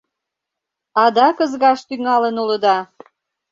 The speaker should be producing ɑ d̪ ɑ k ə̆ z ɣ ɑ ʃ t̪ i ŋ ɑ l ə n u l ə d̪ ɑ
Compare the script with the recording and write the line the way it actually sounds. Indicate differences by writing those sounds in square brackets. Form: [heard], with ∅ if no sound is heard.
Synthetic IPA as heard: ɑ d̪ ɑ k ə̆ z ɣ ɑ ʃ t̪ [y] ŋ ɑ l ə n u l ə d̪ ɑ